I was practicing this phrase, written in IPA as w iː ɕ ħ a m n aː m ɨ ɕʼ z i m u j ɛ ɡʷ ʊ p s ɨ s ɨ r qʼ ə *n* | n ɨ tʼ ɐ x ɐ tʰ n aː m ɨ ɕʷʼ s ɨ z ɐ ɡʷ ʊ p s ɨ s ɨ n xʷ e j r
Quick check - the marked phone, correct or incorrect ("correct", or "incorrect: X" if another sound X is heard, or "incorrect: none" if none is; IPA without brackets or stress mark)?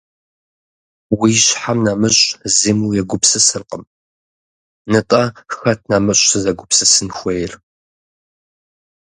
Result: incorrect: m